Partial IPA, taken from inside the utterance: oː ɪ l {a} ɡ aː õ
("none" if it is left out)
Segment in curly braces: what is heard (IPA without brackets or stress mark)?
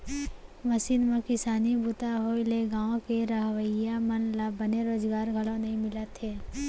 e